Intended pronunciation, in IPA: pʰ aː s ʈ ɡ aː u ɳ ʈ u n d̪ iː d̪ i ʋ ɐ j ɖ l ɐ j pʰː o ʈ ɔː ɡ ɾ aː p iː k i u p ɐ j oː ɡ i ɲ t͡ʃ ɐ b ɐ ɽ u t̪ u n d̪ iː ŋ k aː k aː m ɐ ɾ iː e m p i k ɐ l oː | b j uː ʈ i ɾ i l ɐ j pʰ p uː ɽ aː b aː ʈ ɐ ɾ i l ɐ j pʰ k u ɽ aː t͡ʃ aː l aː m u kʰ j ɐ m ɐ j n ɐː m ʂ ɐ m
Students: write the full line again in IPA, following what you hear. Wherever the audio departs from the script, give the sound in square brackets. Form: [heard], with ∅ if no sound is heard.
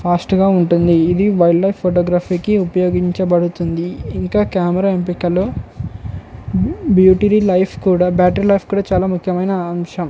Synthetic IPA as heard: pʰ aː s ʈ ɡ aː u ɳ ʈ u n d̪ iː d̪ i ʋ ɐ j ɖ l ɐ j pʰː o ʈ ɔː ɡ ɾ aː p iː k i u p ɐ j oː ɡ i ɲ t͡ʃ ɐ b ɐ ɽ u t̪ u n d̪ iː ŋ k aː k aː m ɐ ɾ [aː] e m p i k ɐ l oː | b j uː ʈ i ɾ i l ɐ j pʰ [k] uː ɽ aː b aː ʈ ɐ ɾ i l ɐ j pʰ k [uː] ɽ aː t͡ʃ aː l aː m u kʰ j ɐ m ɐ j n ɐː m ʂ ɐ m